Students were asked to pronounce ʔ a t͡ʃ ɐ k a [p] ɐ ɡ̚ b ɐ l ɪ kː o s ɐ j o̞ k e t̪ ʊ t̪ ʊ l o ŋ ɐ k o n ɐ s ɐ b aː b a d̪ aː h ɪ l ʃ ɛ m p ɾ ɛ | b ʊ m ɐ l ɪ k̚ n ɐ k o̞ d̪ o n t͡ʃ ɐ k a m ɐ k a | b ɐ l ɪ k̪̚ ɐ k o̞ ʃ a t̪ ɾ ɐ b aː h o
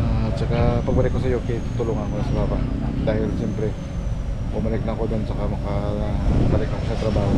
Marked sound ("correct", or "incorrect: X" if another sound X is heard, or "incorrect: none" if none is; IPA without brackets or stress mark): correct